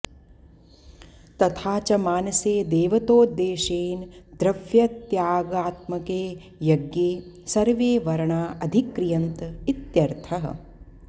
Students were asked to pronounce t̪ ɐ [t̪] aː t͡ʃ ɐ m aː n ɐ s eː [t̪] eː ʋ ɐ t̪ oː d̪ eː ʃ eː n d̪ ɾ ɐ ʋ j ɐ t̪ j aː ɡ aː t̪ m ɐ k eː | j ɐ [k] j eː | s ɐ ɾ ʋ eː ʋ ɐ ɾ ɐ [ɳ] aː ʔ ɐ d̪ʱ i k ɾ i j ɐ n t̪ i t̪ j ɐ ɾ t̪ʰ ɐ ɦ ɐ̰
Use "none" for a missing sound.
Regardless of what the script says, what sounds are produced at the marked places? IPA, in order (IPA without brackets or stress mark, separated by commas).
t̪ʰ, d̪, ɡ, ɳ